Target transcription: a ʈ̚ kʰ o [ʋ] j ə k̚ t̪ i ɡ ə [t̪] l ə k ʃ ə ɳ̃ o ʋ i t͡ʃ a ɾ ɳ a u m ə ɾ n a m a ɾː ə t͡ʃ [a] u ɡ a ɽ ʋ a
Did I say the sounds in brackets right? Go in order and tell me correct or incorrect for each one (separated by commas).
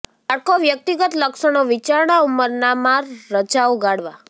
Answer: correct, correct, correct